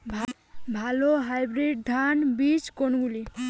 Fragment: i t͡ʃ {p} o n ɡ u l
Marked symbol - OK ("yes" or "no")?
no